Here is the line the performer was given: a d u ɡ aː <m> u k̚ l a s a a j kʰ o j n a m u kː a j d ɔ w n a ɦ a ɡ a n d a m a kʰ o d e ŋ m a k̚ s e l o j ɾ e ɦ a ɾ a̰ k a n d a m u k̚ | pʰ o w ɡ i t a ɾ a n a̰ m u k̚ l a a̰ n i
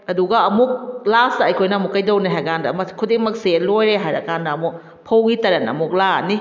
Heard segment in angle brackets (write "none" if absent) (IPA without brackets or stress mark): m